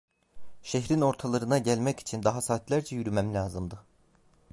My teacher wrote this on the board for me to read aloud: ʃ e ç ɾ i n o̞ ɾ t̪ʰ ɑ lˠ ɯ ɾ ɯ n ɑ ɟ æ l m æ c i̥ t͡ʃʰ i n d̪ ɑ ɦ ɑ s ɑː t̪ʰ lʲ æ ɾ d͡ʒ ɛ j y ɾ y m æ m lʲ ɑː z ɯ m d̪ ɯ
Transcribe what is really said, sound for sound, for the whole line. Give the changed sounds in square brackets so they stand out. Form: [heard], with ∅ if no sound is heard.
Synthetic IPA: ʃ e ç ɾ i n o̞ ɾ t̪ʰ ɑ lˠ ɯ ɾ ɯ n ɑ ɟ æ l m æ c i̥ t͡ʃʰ i n d̪ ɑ ɦ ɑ s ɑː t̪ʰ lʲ æ ɾ d͡ʒ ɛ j y ɾ y m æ m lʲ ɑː z ɯ m d̪ ɯ